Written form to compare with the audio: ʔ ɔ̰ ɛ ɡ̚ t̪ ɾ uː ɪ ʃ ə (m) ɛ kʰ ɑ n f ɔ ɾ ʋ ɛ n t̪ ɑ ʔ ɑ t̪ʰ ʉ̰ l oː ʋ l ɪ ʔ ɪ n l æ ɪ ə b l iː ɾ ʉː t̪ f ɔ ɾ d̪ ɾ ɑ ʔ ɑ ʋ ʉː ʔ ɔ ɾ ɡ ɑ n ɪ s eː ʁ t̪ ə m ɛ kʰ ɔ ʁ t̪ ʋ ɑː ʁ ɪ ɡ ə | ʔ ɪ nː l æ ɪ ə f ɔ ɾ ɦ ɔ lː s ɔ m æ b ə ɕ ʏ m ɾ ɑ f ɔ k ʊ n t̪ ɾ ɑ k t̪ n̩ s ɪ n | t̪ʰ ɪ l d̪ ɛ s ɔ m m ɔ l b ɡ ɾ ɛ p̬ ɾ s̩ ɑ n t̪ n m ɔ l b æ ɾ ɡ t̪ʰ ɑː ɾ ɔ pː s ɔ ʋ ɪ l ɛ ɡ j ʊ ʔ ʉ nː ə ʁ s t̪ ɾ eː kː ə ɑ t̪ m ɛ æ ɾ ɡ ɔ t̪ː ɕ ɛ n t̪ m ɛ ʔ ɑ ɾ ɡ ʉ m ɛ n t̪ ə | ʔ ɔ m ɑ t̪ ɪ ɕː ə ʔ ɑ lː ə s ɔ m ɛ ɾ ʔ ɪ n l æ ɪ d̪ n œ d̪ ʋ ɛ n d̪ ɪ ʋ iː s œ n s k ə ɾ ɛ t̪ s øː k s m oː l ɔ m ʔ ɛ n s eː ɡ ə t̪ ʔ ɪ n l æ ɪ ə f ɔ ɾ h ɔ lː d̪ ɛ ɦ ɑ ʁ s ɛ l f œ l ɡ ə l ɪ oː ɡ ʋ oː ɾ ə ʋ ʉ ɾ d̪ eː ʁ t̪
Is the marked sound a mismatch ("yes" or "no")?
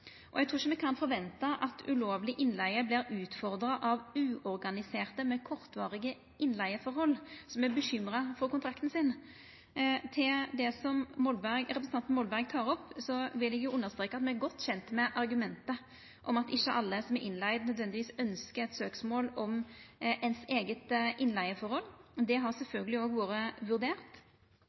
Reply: no